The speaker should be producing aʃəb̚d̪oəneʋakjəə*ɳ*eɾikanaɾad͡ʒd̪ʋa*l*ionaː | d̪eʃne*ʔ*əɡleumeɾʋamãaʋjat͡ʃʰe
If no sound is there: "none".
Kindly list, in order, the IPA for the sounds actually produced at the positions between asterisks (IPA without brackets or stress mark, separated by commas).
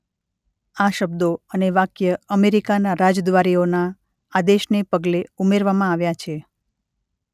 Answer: m, ɾ, p